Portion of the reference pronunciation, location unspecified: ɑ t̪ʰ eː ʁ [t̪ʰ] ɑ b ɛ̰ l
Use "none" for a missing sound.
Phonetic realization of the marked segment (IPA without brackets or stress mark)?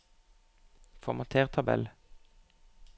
t̪ʰ